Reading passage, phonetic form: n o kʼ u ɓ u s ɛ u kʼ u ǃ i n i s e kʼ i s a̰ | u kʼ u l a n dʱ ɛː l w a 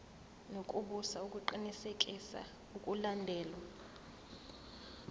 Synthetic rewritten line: n o kʼ u ɓ u s a u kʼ u ǃ i n i s e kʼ i s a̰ | u kʼ u l a n dʱ ɛː l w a